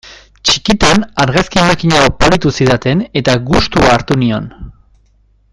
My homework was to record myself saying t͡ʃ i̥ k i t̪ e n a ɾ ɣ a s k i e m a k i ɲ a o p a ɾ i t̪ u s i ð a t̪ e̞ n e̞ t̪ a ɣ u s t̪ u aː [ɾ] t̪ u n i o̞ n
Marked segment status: correct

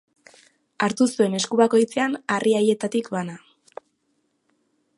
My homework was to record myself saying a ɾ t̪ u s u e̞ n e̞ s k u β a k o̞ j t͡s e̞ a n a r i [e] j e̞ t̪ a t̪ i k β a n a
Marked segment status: incorrect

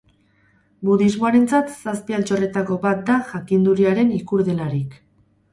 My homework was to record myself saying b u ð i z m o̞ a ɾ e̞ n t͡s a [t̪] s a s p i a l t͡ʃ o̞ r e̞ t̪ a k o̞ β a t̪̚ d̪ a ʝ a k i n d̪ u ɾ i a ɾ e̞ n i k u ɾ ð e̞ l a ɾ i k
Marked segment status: correct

